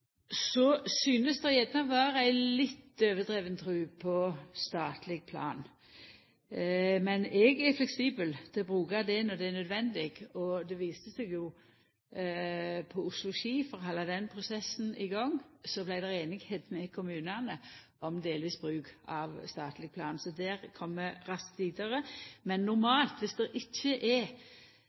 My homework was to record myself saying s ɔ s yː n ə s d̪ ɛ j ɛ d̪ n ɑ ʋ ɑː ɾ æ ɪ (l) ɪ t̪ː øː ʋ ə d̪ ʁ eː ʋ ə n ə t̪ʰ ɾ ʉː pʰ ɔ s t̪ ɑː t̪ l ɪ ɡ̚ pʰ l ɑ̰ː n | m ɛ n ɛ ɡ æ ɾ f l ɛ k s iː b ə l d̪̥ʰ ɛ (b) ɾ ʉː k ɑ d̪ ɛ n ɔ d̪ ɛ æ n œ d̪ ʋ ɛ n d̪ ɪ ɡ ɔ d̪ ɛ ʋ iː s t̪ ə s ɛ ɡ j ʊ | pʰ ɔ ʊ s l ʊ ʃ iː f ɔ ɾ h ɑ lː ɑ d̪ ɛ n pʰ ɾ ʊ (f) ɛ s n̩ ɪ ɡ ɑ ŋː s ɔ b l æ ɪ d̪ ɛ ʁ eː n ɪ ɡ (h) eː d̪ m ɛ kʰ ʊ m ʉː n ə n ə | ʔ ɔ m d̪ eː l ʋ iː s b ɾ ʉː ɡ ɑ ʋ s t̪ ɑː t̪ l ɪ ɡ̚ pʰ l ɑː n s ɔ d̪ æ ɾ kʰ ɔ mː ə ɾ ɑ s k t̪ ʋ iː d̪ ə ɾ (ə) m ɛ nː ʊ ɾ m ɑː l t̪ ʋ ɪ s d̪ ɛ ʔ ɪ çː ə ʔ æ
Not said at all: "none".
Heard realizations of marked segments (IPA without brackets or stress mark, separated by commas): l, b, s, h, ə